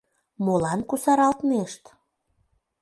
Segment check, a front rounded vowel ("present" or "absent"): absent